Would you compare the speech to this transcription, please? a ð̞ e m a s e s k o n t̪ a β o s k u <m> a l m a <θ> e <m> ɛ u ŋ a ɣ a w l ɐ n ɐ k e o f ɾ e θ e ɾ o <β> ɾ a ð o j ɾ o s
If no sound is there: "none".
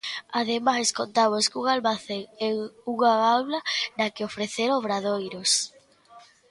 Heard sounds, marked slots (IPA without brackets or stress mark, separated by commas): ŋ, θ, ŋ, β